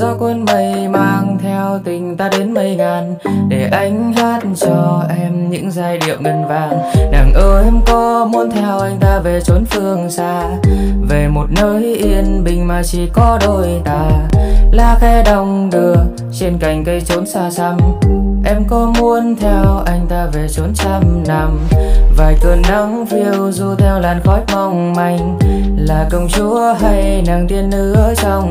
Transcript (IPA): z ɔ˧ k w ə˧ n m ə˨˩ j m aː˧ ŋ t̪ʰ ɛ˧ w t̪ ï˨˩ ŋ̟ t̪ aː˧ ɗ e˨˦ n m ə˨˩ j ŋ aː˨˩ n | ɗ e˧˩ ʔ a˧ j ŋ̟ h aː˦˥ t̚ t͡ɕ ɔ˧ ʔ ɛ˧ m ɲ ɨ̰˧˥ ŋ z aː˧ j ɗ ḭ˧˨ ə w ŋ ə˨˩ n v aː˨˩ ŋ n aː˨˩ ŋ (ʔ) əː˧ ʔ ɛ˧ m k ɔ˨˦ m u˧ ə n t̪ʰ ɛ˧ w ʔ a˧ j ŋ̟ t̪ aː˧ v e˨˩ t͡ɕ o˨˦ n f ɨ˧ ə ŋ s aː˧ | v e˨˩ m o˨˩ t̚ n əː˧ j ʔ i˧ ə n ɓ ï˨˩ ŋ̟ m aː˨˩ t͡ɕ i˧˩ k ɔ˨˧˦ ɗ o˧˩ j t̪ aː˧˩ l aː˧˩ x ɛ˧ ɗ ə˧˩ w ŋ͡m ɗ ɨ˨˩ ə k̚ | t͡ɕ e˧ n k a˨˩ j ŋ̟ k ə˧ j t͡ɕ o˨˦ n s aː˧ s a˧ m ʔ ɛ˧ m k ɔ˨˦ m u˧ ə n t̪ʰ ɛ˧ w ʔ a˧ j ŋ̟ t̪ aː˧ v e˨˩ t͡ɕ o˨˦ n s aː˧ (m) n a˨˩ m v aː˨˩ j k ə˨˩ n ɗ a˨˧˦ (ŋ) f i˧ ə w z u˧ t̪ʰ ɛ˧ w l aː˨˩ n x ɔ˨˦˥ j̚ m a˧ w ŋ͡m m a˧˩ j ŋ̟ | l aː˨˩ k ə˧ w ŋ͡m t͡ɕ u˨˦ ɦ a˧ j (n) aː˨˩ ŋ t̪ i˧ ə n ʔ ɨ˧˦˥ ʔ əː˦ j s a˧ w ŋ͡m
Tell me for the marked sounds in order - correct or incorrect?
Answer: correct, correct, correct, correct

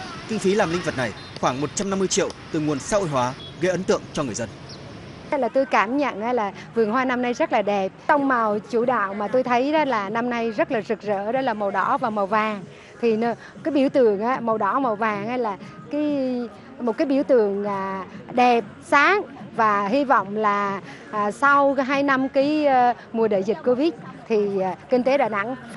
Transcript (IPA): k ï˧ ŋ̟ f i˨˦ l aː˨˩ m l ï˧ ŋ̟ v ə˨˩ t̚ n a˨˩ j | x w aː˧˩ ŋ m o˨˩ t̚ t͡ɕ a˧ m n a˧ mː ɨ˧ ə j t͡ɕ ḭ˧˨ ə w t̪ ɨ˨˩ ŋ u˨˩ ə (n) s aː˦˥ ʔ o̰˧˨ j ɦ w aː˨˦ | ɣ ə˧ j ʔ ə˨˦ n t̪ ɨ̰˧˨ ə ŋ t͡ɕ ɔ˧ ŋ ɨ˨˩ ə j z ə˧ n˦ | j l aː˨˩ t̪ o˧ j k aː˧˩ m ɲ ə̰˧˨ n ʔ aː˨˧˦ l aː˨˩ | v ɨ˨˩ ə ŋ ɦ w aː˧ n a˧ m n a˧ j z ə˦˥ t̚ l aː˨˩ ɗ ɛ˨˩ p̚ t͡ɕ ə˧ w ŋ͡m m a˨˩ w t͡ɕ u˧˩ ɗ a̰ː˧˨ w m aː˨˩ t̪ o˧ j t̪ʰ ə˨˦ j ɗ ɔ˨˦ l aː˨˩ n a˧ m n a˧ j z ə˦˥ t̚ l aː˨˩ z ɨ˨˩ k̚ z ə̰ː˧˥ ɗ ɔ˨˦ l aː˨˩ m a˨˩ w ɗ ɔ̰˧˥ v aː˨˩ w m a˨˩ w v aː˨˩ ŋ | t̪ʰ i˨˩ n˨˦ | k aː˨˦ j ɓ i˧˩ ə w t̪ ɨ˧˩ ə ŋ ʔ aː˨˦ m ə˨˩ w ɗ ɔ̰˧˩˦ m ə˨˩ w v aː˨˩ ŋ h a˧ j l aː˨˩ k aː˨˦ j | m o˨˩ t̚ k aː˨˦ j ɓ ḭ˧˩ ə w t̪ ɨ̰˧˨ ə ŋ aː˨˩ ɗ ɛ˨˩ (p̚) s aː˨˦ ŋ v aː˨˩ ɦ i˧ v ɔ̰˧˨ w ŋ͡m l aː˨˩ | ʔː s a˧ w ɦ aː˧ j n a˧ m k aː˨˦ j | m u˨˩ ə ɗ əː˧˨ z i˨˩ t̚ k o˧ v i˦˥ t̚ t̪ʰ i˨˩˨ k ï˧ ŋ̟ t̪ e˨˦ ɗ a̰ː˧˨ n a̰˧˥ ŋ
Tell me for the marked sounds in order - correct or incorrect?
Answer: correct, correct

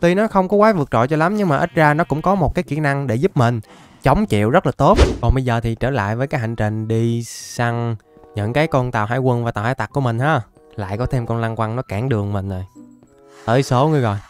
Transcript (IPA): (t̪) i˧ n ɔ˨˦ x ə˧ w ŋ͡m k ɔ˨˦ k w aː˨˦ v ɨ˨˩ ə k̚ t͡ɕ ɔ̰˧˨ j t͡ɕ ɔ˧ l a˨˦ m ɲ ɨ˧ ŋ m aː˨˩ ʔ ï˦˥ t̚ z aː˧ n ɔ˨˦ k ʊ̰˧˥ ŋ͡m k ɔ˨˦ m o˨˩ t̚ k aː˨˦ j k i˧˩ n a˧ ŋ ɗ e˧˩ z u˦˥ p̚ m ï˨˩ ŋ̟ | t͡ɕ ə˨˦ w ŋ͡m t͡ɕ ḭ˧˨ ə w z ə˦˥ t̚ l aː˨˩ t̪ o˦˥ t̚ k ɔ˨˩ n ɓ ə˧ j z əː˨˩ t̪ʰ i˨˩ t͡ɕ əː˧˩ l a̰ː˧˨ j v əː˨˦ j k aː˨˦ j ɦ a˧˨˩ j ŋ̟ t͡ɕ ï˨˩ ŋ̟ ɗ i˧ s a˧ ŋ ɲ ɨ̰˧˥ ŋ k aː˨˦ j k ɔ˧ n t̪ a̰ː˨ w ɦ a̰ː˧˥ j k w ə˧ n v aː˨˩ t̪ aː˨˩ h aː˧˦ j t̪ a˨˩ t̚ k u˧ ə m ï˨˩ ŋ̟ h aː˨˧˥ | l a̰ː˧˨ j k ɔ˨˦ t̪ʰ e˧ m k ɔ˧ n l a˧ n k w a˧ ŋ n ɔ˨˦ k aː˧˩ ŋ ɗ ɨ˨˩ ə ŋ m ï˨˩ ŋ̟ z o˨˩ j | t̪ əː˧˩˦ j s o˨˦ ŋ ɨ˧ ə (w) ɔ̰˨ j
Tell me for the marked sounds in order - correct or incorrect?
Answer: correct, incorrect

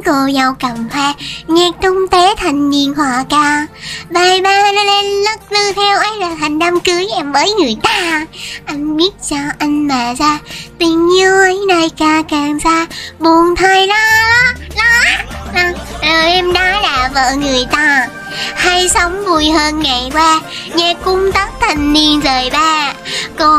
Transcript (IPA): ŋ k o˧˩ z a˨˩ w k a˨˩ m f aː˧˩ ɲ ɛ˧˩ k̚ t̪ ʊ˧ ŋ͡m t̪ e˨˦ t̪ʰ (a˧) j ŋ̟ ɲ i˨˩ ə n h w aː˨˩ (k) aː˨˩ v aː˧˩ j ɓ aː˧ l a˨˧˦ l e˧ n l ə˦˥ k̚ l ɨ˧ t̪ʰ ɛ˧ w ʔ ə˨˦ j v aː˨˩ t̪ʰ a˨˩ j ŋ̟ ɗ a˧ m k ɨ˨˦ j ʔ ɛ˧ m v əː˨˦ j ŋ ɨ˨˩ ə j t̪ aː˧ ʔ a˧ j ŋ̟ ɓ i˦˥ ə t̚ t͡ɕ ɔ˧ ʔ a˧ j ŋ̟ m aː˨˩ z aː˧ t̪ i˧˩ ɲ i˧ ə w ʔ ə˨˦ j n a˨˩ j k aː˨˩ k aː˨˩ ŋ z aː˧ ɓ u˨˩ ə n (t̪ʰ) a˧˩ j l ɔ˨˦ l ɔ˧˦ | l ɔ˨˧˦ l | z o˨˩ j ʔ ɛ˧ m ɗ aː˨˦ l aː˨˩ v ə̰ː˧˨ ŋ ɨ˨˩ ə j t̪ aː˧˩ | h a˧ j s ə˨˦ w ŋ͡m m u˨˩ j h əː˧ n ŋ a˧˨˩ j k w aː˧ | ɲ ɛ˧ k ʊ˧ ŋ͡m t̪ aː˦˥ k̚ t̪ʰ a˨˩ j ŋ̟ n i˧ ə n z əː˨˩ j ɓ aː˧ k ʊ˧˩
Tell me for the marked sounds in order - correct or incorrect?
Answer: incorrect, correct, correct

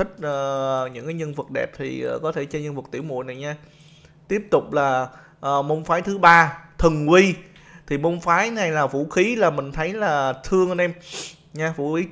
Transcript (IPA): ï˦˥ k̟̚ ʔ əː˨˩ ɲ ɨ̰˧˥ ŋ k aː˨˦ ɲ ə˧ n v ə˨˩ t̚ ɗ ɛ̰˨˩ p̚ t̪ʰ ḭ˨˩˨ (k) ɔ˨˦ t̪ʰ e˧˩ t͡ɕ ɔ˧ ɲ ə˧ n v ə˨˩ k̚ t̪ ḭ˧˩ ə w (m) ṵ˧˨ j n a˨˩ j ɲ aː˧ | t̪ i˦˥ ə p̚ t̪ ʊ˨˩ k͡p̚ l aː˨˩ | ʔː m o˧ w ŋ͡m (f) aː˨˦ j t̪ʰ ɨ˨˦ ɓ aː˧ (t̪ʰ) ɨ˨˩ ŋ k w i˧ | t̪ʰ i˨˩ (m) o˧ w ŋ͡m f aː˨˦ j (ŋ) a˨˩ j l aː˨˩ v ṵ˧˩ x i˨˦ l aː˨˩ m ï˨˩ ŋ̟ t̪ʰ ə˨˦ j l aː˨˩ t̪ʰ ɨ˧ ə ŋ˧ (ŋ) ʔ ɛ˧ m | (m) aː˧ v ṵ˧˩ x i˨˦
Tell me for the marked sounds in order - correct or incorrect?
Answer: correct, correct, correct, correct, correct, incorrect, incorrect, incorrect

